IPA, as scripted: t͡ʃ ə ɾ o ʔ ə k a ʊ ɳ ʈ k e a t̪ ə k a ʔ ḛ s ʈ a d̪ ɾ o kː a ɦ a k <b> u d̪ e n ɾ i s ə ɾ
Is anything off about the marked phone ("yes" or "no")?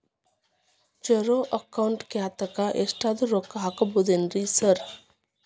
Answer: no